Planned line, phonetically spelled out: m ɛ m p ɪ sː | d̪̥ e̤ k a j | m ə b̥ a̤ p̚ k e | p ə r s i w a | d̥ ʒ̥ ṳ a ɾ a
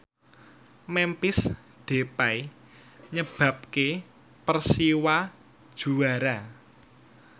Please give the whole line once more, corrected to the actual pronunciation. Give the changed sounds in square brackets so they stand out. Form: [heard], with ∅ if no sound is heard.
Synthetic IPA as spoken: m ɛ m p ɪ [s] | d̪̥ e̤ [p] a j | [ɲ] ə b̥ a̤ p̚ k e | p ə r s i w a | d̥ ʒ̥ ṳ a ɾ a